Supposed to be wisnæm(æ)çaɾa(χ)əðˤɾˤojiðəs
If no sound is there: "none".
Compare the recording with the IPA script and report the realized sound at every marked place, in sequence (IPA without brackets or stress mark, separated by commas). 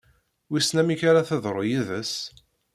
i, θ